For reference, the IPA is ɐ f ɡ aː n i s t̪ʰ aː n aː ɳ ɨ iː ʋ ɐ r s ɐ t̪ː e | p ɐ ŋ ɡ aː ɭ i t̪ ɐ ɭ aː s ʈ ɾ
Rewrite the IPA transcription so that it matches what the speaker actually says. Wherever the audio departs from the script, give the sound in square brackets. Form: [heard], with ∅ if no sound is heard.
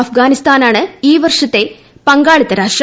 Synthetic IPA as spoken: ɐ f ɡ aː n i s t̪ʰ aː n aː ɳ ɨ iː ʋ ɐ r [ʂ] ɐ t̪ː e | p ɐ ŋ ɡ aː ɭ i t̪ ɐ [ɾ] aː [ʂ] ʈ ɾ